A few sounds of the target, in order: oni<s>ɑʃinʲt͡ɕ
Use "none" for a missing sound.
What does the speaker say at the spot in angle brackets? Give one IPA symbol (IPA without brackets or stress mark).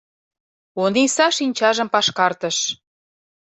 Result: s